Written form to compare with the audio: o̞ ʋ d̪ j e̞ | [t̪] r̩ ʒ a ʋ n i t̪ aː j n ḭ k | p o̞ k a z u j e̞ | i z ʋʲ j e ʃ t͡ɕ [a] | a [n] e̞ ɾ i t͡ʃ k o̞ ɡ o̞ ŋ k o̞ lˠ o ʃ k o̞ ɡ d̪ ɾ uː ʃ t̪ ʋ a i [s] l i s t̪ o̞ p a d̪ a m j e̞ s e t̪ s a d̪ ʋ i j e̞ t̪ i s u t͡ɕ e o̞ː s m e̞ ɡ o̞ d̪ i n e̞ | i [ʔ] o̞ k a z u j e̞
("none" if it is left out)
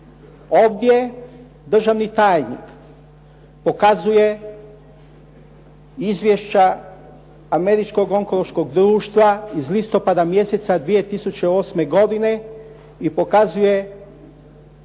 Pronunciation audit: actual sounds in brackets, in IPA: d̪, a, m, z, p

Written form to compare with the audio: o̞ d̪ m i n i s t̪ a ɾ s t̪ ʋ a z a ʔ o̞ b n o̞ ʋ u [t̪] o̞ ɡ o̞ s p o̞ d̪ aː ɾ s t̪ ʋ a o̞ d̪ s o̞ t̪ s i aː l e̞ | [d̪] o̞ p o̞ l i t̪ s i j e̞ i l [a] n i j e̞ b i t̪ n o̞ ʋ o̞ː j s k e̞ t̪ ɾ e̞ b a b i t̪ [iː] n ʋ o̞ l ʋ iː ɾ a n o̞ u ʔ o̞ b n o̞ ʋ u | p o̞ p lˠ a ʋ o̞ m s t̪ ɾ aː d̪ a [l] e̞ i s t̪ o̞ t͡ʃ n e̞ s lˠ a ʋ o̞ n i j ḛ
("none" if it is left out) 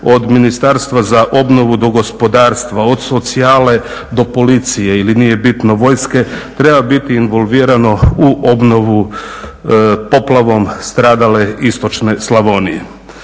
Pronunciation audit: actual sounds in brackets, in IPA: d̪, d̪, i, iː, l

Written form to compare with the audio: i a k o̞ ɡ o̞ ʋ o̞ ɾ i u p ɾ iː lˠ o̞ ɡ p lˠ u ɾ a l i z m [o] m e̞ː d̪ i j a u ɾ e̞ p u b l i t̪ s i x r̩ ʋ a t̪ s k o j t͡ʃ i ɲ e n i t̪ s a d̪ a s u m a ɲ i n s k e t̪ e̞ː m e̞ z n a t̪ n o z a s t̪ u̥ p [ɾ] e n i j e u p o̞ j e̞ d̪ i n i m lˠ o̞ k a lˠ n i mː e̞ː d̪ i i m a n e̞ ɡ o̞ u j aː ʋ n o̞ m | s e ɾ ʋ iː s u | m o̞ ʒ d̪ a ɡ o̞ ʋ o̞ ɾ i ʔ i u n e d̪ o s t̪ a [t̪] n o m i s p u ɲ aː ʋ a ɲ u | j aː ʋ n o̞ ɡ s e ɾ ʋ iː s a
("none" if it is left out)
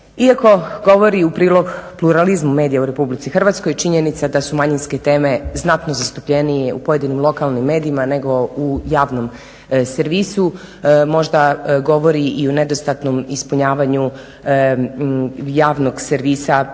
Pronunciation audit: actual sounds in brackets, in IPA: u, ʎ, t̪

